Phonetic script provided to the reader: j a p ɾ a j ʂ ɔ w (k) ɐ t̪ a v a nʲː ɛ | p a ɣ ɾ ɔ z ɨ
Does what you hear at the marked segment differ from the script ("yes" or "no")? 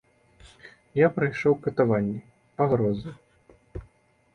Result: no